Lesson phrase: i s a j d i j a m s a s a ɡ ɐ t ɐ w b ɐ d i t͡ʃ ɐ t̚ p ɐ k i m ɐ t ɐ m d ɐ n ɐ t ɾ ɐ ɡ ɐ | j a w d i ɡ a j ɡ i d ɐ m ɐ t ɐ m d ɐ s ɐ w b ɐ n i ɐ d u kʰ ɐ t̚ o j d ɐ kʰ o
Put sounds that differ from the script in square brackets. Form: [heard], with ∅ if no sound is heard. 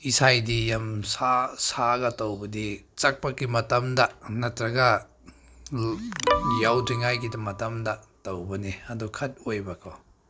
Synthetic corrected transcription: i s a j d i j a m s a s a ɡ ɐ t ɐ w b ɐ d i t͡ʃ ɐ [k̚] p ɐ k i m ɐ t ɐ m d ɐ n ɐ t ɾ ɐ ɡ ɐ | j a w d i [ŋ] a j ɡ i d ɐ m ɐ t ɐ m d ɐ [t] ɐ w b ɐ n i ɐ d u kʰ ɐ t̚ o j [b] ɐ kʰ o